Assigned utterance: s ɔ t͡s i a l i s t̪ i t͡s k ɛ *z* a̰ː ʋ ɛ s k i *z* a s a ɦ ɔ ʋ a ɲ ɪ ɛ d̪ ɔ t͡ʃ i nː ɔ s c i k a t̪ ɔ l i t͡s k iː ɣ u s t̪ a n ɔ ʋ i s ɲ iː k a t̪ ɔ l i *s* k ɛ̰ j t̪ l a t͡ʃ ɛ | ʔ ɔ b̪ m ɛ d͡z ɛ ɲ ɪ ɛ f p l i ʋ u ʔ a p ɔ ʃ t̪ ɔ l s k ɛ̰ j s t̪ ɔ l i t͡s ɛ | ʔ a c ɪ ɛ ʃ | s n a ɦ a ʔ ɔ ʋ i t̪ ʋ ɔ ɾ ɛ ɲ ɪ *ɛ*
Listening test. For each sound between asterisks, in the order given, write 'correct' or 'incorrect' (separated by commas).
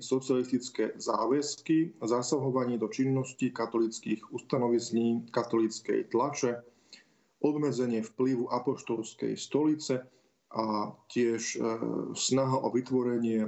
correct, correct, incorrect, correct